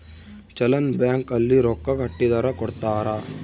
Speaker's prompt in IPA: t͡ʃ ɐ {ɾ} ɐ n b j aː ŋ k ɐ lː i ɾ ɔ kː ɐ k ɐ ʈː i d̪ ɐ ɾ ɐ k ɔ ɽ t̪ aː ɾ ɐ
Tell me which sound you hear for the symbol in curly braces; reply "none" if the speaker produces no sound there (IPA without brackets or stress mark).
l